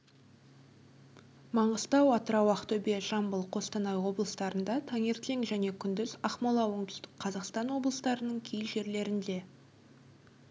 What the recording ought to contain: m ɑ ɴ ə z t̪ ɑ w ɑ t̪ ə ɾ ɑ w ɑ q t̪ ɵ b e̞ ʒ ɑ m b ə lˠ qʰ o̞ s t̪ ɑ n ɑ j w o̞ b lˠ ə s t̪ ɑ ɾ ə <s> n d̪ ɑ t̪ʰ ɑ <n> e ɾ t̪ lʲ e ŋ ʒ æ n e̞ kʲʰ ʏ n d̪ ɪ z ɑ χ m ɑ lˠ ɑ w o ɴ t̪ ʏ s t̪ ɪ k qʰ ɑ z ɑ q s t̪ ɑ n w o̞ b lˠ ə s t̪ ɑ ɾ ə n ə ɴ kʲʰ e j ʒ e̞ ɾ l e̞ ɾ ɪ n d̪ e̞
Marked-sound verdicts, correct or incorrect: incorrect, incorrect

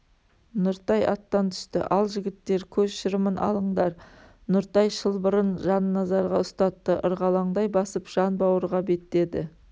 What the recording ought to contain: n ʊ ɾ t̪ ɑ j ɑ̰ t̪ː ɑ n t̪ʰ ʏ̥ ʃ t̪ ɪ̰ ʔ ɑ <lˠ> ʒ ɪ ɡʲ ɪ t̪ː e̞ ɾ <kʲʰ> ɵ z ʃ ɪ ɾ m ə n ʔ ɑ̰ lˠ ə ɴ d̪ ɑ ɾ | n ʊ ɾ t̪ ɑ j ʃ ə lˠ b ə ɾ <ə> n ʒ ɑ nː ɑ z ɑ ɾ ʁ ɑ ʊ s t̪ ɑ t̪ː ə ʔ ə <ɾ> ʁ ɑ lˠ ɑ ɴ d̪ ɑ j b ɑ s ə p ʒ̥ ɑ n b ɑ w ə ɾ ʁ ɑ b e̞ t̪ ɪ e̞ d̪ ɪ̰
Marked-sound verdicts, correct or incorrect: correct, correct, correct, correct

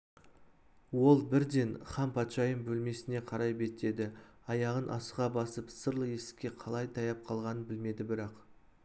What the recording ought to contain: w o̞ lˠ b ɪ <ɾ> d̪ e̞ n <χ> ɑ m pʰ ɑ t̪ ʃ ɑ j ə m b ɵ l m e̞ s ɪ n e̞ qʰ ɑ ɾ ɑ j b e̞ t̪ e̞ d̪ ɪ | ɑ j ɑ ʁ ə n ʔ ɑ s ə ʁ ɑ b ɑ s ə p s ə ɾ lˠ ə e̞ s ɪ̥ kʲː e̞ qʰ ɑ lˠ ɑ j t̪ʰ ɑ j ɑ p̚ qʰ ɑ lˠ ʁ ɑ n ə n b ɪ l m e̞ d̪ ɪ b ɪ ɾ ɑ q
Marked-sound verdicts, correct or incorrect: correct, correct

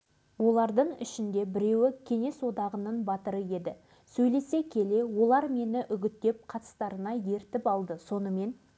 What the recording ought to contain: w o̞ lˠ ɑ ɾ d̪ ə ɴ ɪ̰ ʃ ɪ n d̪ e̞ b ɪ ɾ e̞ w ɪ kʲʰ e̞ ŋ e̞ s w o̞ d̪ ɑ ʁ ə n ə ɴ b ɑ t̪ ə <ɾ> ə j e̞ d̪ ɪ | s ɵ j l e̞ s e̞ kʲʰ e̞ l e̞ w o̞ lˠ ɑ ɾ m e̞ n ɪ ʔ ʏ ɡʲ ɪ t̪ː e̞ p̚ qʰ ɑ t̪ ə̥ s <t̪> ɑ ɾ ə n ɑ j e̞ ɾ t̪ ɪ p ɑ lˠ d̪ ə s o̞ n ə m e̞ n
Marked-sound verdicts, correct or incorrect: correct, correct

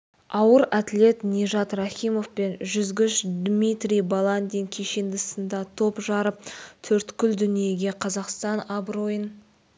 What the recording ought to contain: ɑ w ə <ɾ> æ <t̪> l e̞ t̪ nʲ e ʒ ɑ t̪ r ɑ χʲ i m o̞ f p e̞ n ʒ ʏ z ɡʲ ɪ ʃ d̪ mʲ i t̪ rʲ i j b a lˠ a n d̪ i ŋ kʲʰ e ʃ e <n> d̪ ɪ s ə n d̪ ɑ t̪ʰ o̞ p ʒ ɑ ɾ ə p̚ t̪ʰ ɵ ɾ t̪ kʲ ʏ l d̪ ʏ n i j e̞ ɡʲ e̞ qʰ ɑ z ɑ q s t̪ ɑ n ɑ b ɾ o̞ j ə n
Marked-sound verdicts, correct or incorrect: correct, correct, correct

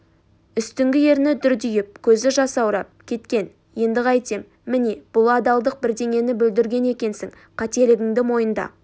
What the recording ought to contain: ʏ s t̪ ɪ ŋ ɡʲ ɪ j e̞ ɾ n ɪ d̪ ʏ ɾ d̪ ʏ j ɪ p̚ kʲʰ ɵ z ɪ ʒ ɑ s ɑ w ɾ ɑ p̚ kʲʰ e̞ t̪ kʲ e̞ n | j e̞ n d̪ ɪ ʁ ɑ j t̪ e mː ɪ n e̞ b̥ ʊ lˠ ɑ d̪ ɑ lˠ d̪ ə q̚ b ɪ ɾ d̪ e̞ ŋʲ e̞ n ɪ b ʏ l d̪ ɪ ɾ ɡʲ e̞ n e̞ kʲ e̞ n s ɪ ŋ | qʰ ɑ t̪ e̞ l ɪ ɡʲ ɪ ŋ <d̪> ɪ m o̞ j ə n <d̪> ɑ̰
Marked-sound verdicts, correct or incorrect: correct, correct

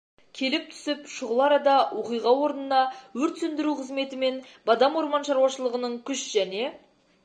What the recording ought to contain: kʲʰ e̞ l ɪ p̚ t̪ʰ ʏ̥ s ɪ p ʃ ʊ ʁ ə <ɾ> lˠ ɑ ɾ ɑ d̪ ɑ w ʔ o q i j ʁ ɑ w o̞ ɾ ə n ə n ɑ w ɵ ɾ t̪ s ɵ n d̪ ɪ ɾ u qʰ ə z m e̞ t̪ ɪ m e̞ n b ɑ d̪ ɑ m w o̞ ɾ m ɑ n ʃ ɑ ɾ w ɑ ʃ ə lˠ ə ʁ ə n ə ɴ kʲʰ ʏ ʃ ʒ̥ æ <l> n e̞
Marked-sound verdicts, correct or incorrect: incorrect, incorrect

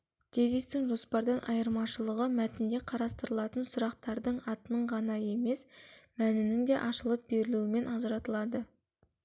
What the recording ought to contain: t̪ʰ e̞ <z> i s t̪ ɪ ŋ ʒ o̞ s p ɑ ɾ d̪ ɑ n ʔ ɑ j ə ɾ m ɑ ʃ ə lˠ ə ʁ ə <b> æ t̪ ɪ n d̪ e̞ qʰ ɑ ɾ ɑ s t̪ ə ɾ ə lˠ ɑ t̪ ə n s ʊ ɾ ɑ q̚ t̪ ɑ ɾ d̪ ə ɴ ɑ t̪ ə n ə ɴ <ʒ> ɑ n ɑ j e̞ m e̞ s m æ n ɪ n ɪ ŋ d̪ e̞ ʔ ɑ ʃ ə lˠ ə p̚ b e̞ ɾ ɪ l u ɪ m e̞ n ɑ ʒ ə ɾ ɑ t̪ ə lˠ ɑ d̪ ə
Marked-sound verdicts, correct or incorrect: correct, incorrect, incorrect

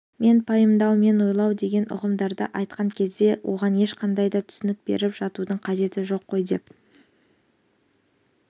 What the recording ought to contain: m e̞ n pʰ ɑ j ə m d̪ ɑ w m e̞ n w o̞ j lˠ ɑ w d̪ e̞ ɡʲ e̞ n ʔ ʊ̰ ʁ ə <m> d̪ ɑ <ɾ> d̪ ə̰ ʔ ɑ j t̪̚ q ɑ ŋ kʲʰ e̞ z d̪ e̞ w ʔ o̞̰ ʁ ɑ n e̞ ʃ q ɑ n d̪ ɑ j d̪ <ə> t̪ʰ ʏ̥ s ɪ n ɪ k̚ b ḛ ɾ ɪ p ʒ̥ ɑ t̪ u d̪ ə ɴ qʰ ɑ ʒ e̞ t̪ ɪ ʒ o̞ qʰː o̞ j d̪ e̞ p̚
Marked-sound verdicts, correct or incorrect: correct, correct, incorrect

